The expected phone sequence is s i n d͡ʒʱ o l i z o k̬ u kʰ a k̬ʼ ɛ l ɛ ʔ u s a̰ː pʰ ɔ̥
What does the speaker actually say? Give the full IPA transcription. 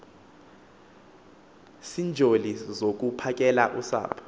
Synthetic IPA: s i n d͡ʒʱ o l i z o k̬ u pʰ a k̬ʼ ɛ l a ʔ u s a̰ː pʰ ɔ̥